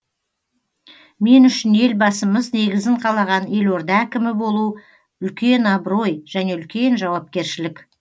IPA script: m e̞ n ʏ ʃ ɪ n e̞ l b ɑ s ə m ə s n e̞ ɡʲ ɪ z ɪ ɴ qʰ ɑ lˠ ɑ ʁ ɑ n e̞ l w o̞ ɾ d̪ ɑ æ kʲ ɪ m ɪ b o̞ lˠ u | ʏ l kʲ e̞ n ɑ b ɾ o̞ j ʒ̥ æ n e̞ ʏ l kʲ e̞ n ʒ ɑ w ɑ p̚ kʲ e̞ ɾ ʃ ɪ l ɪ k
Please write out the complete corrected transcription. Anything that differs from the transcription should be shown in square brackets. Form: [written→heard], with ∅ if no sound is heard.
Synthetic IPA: m e̞ n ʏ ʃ ɪ n e̞ l b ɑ s ə m ə [s→z] n e̞ ɡʲ ɪ z ɪ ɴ qʰ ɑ lˠ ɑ ʁ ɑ n e̞ l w o̞ ɾ d̪ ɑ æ kʲ ɪ m ɪ b o̞ lˠ u | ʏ l kʲ e̞ n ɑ b ɾ o̞ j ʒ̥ æ n e̞ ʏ l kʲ e̞ n ʒ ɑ w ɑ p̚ kʲ e̞ ɾ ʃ ɪ l ɪ k